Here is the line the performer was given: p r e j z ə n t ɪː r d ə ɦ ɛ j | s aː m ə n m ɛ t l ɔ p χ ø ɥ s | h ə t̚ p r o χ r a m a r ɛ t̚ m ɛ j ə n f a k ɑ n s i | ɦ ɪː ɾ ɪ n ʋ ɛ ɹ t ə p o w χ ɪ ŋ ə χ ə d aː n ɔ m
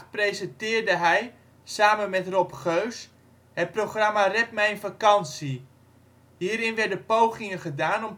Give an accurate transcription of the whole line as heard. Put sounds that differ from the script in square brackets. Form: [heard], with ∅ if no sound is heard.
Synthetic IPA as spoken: p r e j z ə n t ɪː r d ə ɦ ɛ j | s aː m ə n m ɛ t [r] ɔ p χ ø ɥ s | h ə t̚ p r o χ r a m a r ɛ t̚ m ɛ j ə n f a k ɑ n s i | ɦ [iː] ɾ ɪ n ʋ ɛ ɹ [d] ə p o w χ ɪ ŋ ə χ ə d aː n ɔ m